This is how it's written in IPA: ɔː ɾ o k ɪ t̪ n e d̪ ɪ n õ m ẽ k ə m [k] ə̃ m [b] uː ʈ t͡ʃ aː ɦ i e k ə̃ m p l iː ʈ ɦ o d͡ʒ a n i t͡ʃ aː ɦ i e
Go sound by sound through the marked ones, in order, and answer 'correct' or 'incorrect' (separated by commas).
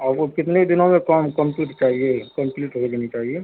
correct, incorrect